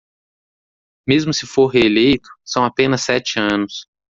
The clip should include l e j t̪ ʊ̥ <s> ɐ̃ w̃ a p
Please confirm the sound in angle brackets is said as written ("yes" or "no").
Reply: yes